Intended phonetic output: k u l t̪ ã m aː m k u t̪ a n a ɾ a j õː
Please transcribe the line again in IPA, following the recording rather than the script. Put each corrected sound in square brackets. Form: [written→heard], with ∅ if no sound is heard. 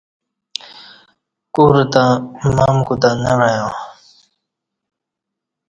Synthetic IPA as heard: k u [l→ɾ] t̪ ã m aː m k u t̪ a n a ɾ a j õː